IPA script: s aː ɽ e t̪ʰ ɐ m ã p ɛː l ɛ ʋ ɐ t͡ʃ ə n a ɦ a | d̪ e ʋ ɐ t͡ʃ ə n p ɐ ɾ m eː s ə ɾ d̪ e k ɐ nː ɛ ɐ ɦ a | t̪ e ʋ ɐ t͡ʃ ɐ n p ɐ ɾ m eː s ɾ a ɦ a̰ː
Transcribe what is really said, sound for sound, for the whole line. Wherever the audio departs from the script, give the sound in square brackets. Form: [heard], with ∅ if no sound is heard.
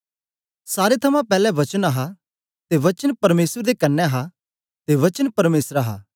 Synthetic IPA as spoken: s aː [ɾ] e t̪ʰ ɐ m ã p ɛː l ɛ ʋ ɐ t͡ʃ ə n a ɦ a | [t̪] e ʋ ɐ t͡ʃ ə n p ɐ ɾ m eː s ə ɾ d̪ e k ɐ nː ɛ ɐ ɦ a | t̪ e ʋ ɐ t͡ʃ [ə] n p ɐ ɾ m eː s ɾ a ɦ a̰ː